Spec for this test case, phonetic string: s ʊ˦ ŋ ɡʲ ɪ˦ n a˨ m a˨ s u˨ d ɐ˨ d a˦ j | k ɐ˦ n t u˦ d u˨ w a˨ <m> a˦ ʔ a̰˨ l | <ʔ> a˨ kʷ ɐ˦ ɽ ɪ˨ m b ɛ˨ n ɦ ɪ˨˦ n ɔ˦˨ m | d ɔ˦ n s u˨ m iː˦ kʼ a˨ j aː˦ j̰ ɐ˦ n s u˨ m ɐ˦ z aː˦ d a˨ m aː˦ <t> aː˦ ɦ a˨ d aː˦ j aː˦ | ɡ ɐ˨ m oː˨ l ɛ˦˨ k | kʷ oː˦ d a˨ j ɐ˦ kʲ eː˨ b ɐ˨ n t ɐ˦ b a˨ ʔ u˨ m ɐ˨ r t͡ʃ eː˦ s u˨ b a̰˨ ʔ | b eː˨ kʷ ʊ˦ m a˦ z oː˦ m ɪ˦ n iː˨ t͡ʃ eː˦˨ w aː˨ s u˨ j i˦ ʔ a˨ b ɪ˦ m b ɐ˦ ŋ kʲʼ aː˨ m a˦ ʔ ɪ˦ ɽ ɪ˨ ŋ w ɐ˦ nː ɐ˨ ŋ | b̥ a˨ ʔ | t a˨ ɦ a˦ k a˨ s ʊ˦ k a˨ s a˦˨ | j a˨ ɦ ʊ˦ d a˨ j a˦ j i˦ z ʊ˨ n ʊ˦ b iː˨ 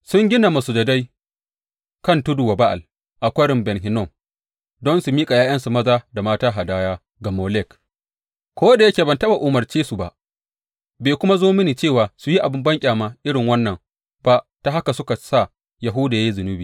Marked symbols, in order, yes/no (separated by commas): no, yes, yes